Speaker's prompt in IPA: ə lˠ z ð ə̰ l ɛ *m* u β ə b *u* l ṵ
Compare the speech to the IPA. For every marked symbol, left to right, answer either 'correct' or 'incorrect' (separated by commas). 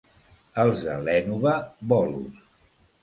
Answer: incorrect, incorrect